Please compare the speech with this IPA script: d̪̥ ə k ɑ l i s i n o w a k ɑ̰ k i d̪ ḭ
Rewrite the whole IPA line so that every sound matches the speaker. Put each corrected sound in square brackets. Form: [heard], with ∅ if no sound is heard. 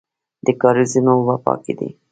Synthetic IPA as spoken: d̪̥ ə k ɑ [ɾ] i [z] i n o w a [p] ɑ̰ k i d̪ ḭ